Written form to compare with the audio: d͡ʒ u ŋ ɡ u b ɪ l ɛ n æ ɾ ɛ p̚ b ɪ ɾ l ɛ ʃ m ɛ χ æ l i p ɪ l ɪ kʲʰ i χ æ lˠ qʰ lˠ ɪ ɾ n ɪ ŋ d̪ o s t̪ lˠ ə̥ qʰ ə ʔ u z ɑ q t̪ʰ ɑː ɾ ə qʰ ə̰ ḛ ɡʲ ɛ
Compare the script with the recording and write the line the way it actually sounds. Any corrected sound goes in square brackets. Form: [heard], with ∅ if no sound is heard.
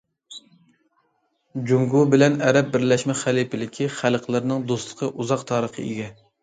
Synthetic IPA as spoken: d͡ʒ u ŋ ɡ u b ɪ l ɛ n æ ɾ ɛ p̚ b ɪ ɾ l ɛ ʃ m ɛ χ æ l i p ɪ l ɪ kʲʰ i χ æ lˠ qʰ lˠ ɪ ɾ n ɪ ŋ d̪ o s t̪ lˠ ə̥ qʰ ə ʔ u z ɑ q t̪ʰ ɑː ɾ ə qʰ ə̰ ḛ ɡʲ ɛ